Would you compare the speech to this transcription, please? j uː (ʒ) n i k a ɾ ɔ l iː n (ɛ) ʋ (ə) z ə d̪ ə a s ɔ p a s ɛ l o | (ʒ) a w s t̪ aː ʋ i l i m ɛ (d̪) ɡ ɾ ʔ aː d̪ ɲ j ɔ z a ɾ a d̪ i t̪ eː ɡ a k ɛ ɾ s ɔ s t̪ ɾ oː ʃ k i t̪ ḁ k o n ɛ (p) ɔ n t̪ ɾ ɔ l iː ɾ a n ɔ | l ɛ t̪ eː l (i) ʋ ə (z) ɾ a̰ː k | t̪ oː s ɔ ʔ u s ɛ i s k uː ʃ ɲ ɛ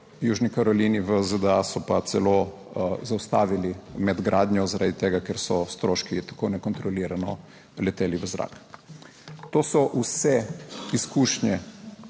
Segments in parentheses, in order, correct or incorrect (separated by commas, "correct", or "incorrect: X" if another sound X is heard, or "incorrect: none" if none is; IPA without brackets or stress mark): correct, incorrect: i, correct, incorrect: z, correct, incorrect: k, correct, correct